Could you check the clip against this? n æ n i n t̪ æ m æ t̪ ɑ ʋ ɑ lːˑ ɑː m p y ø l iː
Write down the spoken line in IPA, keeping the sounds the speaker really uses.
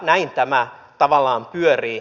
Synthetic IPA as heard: n æ i n t̪ æ m æ t̪ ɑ ʋ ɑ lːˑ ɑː m p y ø r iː